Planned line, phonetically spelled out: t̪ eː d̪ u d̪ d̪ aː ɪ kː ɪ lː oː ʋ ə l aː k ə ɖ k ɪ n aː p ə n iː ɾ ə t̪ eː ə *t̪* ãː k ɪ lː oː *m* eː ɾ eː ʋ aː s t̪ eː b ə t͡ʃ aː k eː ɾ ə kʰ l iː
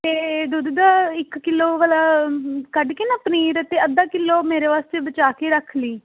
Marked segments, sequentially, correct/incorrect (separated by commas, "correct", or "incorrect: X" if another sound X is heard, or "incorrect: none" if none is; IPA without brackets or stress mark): incorrect: d̪, correct